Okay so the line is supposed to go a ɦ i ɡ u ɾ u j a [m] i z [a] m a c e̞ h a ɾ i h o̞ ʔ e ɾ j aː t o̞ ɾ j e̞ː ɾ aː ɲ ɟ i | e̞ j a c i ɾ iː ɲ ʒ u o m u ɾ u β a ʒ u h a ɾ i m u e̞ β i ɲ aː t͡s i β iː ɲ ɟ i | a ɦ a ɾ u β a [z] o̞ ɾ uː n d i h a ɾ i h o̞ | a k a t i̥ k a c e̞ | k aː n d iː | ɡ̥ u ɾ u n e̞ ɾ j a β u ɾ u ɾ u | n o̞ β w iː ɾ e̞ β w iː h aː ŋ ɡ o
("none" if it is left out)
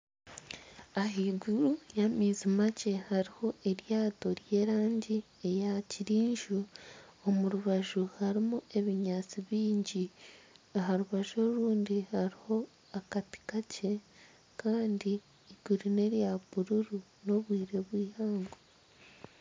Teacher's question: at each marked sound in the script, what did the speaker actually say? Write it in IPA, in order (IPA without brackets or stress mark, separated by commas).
m, i, ʒ